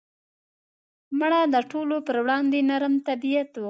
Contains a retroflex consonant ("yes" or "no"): yes